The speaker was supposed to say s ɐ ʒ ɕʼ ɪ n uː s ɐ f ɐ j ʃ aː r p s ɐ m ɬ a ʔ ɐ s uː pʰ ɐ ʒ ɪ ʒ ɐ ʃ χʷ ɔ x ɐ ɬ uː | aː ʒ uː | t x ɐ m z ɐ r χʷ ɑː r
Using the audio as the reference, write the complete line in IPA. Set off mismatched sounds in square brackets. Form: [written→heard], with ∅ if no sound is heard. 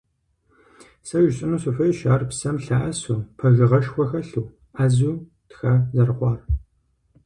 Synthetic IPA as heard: s ɐ ʒ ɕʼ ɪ n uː s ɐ f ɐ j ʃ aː r p s ɐ m ɬ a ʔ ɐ s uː pʰ ɐ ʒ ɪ [ʒ→ʁ] ɐ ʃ [χʷ→xʷ] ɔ x ɐ ɬ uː | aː [ʒ→z] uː | t x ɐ [m→∅] z ɐ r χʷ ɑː r